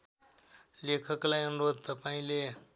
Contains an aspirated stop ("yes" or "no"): yes